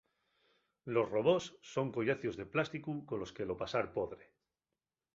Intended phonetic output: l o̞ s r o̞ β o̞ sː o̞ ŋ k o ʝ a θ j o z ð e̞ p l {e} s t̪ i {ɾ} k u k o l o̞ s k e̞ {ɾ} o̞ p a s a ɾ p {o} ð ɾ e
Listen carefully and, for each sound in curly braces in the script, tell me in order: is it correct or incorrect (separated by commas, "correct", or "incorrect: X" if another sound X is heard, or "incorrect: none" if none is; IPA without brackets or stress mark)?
incorrect: a, incorrect: none, incorrect: l, correct